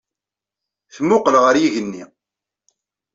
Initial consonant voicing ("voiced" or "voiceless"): voiceless